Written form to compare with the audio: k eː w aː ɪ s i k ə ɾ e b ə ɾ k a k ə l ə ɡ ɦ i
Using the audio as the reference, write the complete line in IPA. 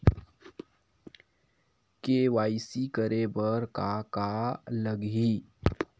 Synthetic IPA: k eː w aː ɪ s i k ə ɾ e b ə ɾ k a k a l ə ɡ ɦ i